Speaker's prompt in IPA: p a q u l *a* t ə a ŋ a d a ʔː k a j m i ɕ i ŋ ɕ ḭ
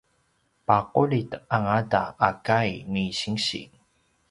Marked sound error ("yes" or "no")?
yes